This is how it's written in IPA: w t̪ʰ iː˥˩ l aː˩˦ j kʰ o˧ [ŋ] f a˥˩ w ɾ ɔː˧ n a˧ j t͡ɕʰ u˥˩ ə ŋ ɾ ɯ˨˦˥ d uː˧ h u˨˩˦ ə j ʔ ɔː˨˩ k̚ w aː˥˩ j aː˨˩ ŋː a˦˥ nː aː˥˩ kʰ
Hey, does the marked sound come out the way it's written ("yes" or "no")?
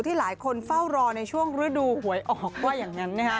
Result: no